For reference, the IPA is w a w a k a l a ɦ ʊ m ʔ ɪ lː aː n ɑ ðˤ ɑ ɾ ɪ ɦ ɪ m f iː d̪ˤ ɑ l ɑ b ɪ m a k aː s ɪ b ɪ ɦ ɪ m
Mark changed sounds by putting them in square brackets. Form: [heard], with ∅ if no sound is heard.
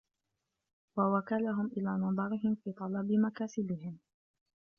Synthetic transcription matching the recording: w a w a k a l a ɦ ʊ m ʔ ɪ [l] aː n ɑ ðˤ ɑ ɾ ɪ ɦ ɪ m f iː [t̪ˤ] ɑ l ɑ b ɪ m a k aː s ɪ b ɪ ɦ ɪ m